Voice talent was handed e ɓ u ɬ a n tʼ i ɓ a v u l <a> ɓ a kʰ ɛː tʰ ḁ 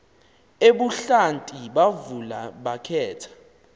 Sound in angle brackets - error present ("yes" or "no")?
no